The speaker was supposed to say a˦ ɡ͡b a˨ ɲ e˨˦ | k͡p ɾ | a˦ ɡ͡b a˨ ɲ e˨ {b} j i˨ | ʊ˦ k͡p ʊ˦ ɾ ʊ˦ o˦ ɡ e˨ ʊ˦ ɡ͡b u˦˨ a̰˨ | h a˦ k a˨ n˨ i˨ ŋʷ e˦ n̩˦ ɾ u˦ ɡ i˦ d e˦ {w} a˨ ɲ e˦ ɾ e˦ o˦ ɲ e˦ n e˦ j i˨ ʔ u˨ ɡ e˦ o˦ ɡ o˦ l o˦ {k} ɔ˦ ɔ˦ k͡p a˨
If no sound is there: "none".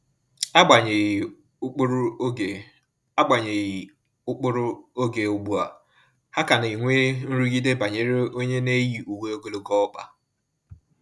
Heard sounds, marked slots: none, b, ɡ

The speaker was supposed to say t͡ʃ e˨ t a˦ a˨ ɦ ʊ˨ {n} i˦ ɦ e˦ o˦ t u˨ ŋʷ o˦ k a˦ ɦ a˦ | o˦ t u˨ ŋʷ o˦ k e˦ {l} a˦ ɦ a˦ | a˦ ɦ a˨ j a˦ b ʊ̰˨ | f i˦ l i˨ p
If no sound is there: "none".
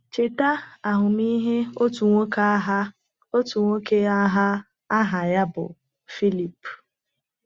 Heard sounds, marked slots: m, none

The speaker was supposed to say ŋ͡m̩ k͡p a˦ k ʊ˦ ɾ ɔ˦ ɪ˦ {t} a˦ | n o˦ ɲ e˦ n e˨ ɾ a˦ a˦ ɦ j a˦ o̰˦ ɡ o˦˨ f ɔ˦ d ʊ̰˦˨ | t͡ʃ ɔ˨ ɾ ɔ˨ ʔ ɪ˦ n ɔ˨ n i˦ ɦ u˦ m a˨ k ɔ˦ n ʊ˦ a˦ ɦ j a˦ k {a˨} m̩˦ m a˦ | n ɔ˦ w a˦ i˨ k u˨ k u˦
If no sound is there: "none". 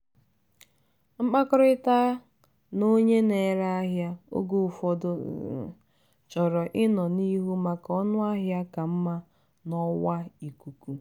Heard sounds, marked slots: t, a˨

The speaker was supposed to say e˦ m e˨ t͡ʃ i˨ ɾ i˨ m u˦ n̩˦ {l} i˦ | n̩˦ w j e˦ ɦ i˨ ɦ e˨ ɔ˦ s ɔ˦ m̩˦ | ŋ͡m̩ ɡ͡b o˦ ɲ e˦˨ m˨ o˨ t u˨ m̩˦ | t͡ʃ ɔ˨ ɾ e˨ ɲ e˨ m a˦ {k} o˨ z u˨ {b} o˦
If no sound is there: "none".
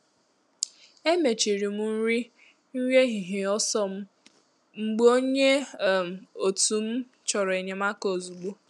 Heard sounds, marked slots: ɾ, k, ɡ͡b

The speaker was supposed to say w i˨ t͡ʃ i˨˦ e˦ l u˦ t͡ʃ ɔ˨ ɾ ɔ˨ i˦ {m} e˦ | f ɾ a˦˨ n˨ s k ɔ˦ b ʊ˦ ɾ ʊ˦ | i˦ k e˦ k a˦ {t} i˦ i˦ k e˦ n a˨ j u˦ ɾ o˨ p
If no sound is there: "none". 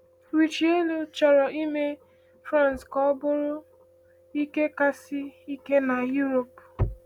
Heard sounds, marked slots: m, s

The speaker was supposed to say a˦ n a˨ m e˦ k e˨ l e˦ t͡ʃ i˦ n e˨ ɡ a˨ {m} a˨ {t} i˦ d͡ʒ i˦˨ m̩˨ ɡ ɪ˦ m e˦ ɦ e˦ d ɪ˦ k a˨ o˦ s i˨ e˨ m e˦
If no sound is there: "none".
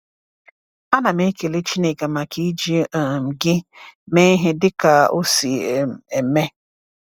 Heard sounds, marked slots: m, k

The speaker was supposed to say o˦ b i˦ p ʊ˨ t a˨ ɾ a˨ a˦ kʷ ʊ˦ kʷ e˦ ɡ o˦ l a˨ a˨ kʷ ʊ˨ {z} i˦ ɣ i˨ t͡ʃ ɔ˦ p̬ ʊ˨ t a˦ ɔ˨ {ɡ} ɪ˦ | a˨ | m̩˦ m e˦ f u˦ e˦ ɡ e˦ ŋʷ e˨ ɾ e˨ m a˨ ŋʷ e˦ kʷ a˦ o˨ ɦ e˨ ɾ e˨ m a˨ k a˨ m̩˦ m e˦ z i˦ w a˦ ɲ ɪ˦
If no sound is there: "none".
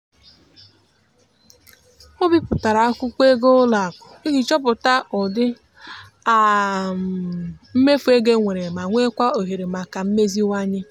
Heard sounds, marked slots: none, d

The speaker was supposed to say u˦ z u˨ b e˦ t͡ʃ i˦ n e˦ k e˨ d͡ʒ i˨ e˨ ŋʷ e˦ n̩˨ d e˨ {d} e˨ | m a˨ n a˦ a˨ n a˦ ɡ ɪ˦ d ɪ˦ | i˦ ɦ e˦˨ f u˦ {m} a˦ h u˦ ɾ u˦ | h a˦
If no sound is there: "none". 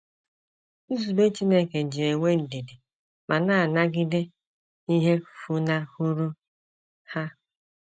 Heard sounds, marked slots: d, n

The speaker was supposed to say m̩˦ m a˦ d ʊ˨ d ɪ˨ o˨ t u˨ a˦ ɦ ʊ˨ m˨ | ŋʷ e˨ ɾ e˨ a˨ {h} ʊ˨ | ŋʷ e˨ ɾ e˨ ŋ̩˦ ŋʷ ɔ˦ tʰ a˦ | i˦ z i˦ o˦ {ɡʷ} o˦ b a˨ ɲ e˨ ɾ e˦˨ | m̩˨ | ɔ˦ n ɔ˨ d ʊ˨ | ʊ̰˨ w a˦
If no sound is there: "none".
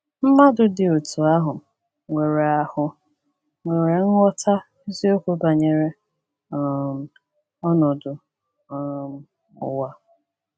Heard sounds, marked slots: h, kʷ

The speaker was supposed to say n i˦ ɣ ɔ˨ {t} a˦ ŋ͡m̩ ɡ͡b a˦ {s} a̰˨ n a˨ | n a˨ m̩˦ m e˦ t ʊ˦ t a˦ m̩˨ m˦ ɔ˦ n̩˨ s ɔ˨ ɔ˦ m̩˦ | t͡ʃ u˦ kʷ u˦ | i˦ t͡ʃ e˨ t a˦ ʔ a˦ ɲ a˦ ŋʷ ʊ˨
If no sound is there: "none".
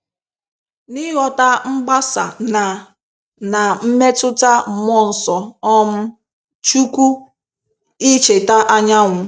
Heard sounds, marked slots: t, s

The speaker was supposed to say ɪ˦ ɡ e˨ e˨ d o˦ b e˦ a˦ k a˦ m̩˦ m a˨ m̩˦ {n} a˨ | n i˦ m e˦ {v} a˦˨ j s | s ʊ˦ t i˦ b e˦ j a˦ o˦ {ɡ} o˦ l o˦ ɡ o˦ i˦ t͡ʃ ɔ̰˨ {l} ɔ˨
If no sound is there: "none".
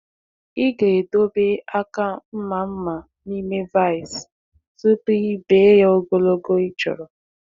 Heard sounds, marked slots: m, v, ɡ, ɾ

